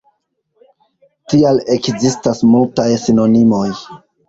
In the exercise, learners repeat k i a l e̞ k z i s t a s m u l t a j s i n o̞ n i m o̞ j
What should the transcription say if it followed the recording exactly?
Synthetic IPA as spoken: t i a l e̞ k z i s t a s m u l t a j s i n o̞ n i m o̞ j